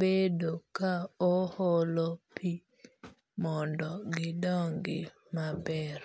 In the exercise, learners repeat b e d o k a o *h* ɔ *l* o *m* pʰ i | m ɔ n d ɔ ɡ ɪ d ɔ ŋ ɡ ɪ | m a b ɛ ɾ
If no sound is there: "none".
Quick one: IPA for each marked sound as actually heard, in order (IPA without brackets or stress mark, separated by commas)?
h, l, none